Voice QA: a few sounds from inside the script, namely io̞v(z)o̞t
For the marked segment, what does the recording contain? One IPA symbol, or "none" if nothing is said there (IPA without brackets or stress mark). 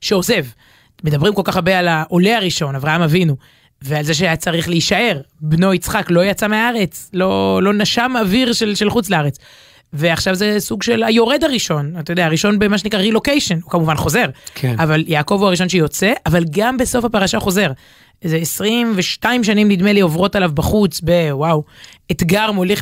ʁ